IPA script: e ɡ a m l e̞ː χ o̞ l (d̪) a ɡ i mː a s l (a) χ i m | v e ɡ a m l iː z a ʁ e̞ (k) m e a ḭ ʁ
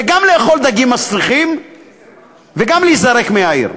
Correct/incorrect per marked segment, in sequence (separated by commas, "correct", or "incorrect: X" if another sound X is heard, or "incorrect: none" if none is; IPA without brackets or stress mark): correct, incorrect: i, correct